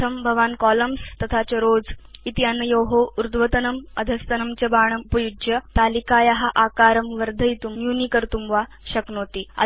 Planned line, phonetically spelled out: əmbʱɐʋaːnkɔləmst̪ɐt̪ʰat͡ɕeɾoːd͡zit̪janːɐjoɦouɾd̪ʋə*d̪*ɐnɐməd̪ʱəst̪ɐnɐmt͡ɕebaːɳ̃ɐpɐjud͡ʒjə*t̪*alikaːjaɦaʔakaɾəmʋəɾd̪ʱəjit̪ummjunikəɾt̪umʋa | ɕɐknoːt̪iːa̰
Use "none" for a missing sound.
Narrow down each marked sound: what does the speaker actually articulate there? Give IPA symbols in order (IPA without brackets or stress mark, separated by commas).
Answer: t̪, t̪